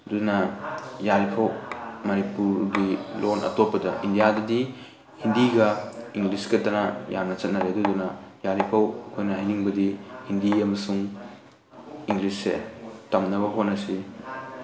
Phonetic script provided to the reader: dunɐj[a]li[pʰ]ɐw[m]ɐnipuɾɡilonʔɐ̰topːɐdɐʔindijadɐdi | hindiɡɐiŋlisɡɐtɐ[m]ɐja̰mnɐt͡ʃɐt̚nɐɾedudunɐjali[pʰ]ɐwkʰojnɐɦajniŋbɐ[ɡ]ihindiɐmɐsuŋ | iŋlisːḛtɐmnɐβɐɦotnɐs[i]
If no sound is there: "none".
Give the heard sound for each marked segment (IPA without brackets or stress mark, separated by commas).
a, pʰ, m, n, pʰ, d, i